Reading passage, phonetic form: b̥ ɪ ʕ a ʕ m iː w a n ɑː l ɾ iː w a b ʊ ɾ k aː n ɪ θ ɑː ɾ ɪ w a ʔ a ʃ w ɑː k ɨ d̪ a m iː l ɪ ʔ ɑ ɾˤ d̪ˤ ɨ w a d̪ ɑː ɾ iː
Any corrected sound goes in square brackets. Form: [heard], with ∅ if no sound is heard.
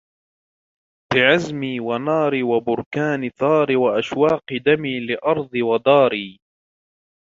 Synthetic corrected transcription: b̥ ɪ ʕ a [z] m iː w a n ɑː [∅] ɾ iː w a b ʊ ɾ k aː n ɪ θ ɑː ɾ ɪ w a ʔ a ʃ w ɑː [q] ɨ d̪ a m iː l ɪ ʔ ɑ ɾˤ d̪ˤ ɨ w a d̪ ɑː ɾ iː